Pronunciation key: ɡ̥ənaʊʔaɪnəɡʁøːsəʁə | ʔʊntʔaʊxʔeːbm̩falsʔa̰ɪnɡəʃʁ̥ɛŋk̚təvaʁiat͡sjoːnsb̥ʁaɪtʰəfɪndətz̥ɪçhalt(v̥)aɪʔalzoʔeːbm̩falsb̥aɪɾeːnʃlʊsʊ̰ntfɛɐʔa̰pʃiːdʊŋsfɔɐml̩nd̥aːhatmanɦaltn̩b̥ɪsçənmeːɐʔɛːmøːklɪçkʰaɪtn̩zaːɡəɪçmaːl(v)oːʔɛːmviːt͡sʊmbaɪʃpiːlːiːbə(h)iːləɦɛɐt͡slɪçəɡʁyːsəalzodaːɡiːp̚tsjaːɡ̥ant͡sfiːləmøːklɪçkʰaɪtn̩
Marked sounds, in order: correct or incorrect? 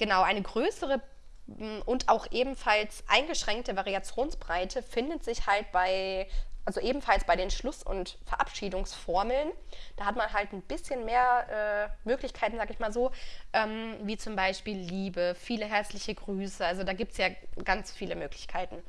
incorrect: b̥, incorrect: z, incorrect: f

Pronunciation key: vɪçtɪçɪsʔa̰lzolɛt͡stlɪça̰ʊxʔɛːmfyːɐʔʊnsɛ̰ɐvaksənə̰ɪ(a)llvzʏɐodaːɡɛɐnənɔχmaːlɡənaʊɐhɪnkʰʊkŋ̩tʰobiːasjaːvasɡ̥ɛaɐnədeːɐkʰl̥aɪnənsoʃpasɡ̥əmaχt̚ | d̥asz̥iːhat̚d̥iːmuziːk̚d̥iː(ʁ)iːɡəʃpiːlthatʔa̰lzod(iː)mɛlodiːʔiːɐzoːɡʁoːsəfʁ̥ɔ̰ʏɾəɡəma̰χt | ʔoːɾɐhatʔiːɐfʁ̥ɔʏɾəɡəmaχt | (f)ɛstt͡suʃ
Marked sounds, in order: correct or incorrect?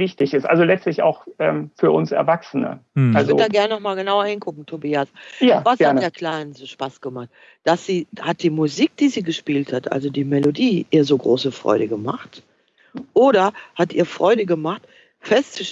correct, incorrect: z, correct, correct

